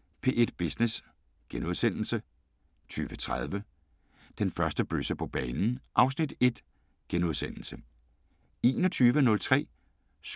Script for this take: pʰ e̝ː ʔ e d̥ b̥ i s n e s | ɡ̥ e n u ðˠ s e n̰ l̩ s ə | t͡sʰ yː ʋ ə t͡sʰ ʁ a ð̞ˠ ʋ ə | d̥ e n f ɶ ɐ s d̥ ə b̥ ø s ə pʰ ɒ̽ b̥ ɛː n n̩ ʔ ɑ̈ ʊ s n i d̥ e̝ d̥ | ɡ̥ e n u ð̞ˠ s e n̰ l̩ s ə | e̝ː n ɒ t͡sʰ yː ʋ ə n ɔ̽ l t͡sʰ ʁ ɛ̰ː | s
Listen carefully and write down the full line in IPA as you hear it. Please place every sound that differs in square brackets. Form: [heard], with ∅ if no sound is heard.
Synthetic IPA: pʰ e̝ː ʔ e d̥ b̥ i s n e s | ɡ̥ e n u ðˠ s e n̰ l̩ s ə | t͡sʰ yː ʋ ə t͡sʰ ʁ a ð̞ˠ ʋ ə | d̥ e n f ɶ ɐ s d̥ ə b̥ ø s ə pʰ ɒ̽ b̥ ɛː n n̩ ʔ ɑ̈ ʊ s n i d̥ e̝ d̥ | ɡ̥ e n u ð̞ˠ s e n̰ l̩ s ə | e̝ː n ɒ t͡sʰ yː ʋ ə n ɔ̽ l t͡sʰ ʁ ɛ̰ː | s